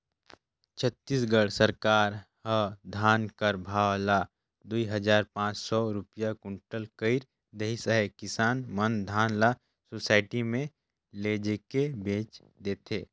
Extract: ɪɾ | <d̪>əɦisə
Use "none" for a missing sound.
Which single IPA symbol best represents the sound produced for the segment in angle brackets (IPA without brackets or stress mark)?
d̪